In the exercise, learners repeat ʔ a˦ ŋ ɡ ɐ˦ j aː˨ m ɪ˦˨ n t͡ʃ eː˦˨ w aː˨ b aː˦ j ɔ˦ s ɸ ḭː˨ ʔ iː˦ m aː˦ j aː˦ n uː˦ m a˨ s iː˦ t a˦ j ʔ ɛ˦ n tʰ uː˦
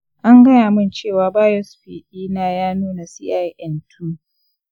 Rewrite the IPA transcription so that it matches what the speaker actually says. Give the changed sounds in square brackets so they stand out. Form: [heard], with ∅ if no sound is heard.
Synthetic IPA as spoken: ʔ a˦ ŋ ɡ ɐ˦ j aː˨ m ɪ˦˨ n t͡ʃ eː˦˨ w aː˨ b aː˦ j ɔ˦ s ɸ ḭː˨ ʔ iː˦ [n] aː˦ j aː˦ n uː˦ [n] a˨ s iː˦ [ʔ] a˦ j ʔ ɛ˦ n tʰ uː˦